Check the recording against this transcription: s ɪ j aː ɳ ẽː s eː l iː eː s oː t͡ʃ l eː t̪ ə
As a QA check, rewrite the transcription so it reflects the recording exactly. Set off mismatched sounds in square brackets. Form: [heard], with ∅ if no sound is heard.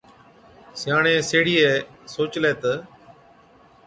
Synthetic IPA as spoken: s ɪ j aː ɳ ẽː s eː [ɽ] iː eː s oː t͡ʃ l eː t̪ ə